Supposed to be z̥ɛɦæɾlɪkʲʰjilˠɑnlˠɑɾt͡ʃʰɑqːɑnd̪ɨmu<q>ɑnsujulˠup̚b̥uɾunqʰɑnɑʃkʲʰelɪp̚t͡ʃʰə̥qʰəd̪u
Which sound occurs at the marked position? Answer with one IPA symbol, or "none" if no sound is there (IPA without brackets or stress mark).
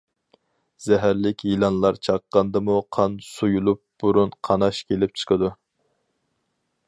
qʰ